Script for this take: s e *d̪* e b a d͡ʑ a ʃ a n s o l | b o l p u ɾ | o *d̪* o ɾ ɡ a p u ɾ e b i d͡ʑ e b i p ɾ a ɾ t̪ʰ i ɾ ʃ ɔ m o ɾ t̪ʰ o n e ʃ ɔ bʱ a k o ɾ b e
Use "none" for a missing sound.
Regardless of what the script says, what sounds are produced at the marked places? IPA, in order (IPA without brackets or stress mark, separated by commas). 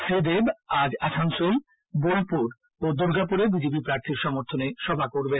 d̪, d̪